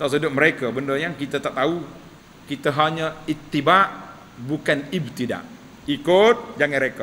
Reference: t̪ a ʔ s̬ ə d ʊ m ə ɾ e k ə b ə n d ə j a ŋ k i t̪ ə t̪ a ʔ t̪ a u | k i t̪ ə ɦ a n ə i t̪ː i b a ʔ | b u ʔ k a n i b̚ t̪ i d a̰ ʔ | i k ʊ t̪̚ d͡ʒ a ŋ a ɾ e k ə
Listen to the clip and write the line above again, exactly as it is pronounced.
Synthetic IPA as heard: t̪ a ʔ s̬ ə d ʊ m ə ɾ e k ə b ə n d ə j a ŋ k i t̪ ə t̪ a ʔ t̪ a u | k i t̪ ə ɦ a ɲ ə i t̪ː i b a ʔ | b u k a n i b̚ t̪ i d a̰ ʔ | i k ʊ t̪̚ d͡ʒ a ŋ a ɾ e k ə